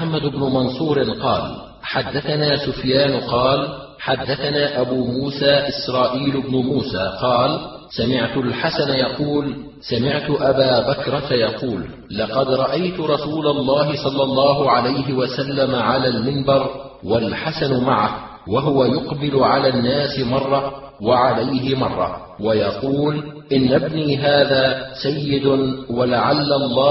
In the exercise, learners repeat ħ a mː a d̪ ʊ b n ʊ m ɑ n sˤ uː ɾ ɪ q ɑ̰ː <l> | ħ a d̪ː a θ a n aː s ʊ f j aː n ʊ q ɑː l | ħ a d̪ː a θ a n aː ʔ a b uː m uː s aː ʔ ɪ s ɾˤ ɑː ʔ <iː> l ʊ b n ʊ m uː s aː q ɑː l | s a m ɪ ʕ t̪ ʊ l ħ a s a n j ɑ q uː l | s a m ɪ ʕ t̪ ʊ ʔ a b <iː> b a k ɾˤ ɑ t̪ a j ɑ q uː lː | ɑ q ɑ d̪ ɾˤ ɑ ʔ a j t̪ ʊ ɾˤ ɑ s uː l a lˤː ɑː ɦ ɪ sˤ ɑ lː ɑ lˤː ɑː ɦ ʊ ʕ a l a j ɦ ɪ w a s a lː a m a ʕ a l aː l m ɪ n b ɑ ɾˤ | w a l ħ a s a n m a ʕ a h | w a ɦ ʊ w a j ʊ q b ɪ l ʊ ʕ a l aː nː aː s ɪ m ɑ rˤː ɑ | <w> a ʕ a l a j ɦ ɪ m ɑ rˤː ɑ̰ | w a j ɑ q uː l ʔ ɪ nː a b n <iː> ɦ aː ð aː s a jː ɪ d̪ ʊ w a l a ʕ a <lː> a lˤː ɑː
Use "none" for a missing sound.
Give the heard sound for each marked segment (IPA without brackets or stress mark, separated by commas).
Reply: l, iː, aː, w, iː, lː